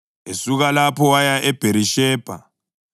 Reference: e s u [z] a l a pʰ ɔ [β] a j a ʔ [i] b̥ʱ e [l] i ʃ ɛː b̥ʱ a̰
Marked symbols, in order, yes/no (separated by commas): no, no, no, no